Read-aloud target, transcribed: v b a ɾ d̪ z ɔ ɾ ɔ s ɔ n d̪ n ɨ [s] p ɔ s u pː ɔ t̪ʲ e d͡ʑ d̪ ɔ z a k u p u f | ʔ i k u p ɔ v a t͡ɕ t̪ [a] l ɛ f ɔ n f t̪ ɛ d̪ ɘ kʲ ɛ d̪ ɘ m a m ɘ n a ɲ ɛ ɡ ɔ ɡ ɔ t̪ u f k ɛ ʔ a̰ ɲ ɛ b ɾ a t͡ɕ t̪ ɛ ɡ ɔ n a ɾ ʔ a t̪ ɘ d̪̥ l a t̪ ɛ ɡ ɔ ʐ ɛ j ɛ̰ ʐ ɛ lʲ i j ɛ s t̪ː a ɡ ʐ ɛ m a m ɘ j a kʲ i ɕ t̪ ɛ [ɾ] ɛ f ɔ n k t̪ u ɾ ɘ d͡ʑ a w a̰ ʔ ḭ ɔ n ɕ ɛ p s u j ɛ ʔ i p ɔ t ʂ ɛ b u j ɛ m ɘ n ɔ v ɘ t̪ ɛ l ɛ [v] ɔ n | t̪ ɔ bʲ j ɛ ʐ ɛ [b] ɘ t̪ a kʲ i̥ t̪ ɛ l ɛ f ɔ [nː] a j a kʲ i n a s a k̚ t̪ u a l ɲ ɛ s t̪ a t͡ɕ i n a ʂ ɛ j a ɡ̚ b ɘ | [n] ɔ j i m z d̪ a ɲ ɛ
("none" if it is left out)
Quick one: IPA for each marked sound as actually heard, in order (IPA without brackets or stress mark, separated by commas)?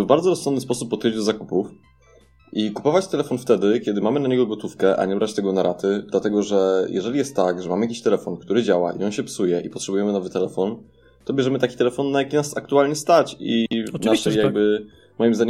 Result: s, ɛ, l, f, m, nː, m